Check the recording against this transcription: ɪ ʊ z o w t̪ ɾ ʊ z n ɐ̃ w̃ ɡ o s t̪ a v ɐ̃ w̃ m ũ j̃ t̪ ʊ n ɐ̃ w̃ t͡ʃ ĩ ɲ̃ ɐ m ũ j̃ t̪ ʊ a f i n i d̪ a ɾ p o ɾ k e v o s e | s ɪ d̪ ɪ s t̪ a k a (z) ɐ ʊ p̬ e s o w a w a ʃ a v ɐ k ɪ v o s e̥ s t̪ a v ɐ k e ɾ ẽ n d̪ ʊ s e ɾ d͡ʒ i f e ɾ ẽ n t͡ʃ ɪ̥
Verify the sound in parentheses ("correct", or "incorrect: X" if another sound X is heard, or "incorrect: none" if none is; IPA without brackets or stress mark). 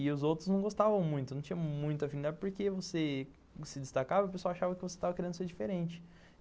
incorrect: v